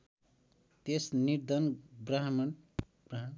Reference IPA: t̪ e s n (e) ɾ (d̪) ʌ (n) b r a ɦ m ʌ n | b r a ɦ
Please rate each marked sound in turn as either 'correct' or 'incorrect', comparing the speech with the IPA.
incorrect, correct, correct

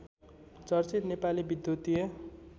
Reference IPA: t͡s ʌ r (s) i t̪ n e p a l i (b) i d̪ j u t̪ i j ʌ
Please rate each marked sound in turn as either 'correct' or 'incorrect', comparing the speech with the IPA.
incorrect, correct

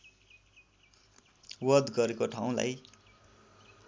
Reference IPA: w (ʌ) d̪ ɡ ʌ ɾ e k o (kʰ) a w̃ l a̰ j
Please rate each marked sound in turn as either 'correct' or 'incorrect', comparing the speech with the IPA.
correct, incorrect

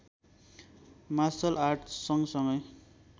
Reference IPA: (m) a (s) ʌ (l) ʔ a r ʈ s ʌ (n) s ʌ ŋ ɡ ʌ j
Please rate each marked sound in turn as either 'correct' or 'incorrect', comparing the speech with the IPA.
correct, correct, correct, incorrect

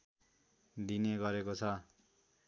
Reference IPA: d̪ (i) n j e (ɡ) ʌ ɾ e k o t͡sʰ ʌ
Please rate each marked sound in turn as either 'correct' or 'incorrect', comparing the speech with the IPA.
correct, correct

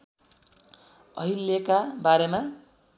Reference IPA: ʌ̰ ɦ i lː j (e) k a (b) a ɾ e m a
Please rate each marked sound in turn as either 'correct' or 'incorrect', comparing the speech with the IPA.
correct, correct

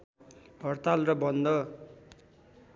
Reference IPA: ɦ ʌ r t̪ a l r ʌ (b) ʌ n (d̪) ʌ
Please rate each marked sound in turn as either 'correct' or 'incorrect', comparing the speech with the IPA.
correct, correct

